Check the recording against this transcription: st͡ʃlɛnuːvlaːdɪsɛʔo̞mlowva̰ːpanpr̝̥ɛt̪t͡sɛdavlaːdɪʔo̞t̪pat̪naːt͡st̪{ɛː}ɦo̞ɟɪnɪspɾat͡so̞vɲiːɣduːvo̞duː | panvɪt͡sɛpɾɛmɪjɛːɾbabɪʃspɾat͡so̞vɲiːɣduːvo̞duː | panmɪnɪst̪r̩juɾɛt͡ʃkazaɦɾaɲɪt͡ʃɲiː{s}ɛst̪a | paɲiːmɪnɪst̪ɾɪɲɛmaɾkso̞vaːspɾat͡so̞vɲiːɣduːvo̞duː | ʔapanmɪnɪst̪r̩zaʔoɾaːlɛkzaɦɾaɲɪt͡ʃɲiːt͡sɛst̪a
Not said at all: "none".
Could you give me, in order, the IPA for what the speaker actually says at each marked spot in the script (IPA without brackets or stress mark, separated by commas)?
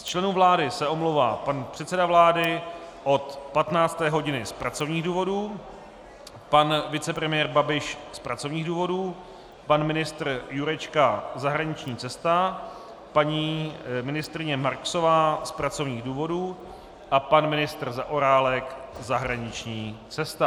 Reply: ɛː, t͡s